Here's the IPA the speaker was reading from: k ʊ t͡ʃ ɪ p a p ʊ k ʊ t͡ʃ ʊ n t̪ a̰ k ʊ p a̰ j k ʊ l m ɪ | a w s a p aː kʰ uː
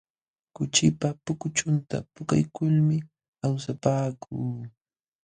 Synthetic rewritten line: k ʊ t͡ʃ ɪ p a p ʊ k ʊ t͡ʃ ʊ n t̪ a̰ p ʊ k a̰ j k ʊ l m ɪ | a w s a p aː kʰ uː